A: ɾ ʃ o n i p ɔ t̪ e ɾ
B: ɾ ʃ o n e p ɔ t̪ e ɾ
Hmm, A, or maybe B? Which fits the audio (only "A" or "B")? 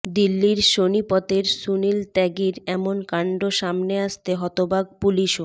A